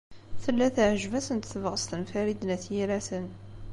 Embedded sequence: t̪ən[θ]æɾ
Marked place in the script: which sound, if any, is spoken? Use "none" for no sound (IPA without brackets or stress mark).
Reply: f